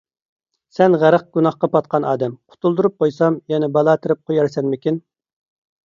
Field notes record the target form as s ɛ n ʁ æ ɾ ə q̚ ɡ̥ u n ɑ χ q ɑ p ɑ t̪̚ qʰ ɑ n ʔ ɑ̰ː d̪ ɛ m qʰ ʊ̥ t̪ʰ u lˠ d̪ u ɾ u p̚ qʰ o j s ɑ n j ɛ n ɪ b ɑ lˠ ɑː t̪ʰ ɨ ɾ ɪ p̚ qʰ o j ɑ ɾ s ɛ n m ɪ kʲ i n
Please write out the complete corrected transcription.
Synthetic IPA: s ɛ n ʁ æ ɾ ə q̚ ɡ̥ u n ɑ χ q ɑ p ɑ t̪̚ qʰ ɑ n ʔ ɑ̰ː d̪ ɛ m qʰ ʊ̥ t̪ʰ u lˠ d̪ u ɾ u p̚ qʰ o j s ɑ m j ɛ n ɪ b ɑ lˠ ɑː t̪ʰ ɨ ɾ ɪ p̚ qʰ o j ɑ ɾ s ɛ n m ɪ kʲ i n